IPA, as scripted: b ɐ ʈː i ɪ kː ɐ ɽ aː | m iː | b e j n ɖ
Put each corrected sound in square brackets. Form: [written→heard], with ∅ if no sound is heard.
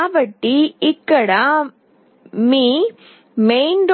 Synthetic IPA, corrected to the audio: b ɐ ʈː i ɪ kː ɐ ɽ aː | m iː | [b→m] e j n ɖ